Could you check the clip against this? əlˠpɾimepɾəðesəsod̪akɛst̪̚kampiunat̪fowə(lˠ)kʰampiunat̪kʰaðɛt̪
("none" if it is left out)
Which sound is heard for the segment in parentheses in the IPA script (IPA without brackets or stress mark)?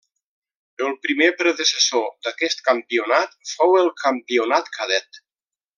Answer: lˠ